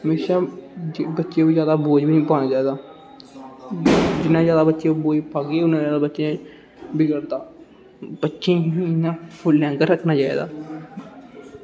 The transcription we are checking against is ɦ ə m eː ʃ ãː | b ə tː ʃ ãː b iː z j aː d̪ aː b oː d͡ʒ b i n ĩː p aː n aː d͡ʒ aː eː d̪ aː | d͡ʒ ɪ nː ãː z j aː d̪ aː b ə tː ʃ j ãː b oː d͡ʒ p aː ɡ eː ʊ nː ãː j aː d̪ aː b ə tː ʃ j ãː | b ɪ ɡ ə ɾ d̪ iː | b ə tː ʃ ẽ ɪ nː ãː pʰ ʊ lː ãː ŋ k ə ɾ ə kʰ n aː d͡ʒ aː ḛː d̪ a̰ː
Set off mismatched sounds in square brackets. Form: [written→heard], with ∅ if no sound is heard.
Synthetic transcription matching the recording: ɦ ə m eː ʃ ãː | b ə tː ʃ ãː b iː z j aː d̪ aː b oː d͡ʒ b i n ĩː p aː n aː d͡ʒ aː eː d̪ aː | d͡ʒ ɪ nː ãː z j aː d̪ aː b ə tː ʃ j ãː b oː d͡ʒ p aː ɡ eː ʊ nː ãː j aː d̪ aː b ə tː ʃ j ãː | b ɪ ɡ ə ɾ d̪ [iː→aː] | b ə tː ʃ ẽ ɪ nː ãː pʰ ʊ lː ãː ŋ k ə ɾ ə kʰ n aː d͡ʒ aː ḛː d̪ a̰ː